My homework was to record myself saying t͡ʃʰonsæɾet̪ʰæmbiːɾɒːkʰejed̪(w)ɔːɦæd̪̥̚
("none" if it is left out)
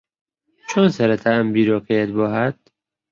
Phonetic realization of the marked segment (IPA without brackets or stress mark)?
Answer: b